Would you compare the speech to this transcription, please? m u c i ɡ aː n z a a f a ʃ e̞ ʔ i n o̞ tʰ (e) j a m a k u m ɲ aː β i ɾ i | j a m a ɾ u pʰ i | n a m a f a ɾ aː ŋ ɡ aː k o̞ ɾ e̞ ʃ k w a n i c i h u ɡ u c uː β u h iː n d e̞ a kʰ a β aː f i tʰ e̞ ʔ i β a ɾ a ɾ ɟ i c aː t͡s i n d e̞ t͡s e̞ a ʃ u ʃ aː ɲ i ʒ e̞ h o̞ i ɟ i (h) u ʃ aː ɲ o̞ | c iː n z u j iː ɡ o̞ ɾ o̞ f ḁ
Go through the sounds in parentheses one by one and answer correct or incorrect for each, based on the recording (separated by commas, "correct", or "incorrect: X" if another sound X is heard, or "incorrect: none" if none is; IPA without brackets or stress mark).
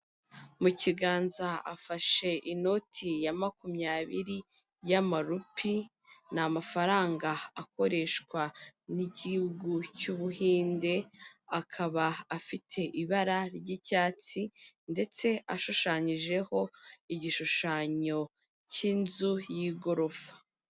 incorrect: i, incorrect: ʃ